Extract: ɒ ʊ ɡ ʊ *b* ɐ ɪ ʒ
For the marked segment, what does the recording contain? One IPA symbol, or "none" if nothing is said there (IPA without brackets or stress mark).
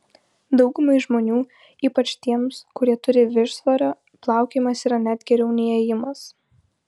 m